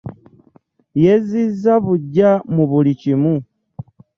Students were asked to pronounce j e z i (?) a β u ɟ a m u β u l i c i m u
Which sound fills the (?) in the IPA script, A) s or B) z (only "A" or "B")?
B